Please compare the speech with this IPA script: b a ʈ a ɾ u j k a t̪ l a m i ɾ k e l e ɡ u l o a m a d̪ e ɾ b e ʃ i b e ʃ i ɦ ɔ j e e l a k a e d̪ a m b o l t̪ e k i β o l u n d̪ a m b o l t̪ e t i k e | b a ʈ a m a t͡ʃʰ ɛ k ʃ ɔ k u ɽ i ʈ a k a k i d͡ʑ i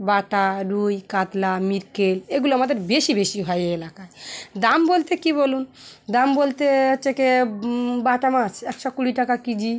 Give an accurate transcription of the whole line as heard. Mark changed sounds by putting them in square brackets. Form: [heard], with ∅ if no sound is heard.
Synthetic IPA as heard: b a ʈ a ɾ u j k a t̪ l a m i ɾ k e l e ɡ u l o a m a d̪ e ɾ b e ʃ i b e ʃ i ɦ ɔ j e e l a k a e d̪ a m b o l t̪ e k i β o l u n d̪ a m b o l t̪ e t [e] k e | b a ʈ a m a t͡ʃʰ ɛ k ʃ ɔ k u ɽ i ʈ a k a k i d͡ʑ i